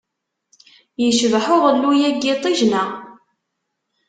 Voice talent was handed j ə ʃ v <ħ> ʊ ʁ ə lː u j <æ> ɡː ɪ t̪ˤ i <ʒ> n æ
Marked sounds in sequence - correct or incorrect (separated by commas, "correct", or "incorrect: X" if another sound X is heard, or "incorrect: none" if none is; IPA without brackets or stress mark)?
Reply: correct, correct, correct